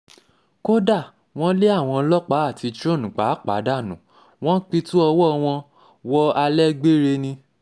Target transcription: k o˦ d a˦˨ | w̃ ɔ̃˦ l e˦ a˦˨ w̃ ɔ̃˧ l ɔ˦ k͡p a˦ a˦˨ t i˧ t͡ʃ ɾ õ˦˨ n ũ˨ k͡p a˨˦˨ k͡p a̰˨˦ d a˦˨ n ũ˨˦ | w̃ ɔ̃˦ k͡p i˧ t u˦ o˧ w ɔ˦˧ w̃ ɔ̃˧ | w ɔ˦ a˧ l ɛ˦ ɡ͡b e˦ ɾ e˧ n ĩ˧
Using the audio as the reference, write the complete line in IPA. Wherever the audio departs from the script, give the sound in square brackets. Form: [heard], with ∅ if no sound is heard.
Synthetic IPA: k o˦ d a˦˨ | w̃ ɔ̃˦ l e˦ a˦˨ w̃ ɔ̃˧ l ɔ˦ k͡p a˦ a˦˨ t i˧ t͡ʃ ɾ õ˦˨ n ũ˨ k͡p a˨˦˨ k͡p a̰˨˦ d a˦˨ n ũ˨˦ | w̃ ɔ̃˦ k͡p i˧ t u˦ [ɔ˧] w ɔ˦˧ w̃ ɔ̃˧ | w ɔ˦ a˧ l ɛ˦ ɡ͡b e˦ ɾ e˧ n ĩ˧